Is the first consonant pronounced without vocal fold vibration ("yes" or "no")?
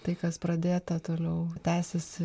yes